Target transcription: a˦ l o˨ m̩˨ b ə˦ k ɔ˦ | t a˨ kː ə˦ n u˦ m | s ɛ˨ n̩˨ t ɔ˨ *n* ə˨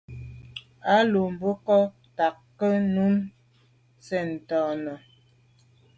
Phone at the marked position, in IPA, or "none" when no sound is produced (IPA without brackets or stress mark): n